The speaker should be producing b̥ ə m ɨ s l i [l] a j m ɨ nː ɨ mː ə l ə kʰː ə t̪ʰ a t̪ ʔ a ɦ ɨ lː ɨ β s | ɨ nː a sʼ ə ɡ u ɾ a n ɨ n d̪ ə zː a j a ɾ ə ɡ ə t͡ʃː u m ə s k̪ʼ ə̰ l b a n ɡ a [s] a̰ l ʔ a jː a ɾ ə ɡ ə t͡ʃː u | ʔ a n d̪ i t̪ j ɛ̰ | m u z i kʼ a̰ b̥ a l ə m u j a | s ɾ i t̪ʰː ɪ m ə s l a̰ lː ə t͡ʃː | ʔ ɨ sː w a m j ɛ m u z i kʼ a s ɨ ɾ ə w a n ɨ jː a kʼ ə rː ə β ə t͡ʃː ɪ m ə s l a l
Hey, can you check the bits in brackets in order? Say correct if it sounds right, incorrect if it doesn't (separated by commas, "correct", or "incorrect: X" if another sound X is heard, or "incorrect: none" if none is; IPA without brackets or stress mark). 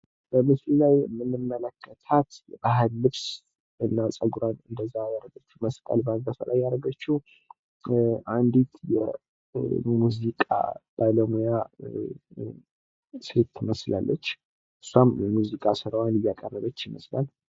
correct, correct